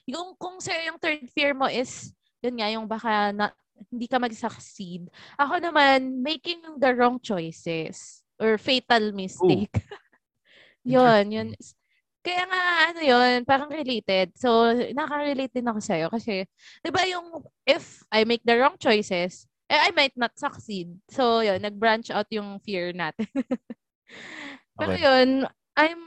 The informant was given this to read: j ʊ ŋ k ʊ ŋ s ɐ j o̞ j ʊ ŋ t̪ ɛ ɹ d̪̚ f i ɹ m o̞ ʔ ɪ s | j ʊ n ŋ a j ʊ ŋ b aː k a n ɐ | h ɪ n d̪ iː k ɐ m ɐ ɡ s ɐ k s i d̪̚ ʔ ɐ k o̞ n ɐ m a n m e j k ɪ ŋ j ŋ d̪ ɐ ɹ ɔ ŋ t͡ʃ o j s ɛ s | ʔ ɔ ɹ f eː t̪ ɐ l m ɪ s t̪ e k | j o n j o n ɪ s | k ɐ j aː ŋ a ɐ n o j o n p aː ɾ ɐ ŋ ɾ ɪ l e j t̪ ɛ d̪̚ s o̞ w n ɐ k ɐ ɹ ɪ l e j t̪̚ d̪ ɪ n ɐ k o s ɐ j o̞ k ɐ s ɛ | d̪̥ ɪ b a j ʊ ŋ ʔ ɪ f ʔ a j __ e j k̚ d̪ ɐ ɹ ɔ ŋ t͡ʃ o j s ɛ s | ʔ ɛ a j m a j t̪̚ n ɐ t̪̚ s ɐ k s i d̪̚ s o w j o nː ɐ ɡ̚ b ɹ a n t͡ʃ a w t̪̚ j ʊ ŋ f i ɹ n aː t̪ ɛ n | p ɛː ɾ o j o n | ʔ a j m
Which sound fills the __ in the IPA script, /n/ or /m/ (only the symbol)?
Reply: m